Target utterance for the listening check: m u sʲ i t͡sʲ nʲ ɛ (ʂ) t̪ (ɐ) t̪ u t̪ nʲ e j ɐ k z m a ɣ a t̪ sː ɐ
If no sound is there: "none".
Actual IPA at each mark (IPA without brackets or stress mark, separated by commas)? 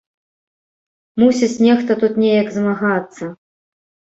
x, ɐ